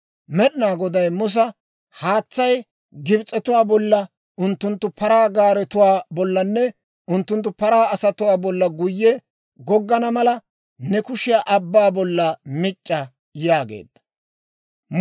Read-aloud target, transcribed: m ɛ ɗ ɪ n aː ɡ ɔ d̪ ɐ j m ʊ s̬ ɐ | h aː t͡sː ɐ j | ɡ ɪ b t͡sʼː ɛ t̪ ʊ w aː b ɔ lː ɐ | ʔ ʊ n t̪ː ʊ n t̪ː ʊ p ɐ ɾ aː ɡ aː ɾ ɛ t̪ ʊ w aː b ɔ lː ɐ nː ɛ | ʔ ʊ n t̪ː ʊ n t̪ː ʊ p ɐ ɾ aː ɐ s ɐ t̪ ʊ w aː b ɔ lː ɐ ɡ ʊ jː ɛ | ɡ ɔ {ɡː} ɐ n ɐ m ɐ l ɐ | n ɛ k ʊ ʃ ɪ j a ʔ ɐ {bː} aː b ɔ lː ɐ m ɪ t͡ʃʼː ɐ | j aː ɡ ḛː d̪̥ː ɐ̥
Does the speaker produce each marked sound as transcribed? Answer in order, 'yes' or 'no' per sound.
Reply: yes, yes

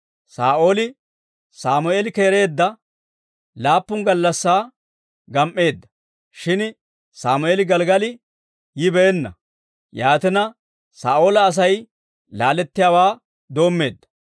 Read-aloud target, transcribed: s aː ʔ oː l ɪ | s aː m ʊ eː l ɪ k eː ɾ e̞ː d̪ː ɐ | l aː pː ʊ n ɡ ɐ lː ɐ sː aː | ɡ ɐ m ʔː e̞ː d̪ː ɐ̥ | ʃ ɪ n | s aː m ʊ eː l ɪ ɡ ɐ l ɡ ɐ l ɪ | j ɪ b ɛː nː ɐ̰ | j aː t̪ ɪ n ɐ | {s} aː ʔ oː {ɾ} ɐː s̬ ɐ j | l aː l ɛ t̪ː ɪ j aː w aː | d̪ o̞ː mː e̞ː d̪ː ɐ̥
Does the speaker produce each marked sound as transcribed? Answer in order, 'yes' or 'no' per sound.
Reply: yes, no

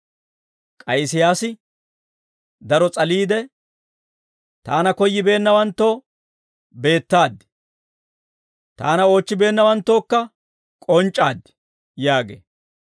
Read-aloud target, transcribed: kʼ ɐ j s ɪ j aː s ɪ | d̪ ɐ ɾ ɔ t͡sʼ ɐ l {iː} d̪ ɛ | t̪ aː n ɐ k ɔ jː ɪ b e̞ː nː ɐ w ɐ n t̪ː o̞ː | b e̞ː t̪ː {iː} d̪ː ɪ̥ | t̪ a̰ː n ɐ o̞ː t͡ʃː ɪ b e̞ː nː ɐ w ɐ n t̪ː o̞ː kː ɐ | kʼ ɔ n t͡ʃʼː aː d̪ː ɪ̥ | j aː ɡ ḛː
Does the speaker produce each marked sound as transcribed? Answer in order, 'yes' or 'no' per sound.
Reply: yes, no

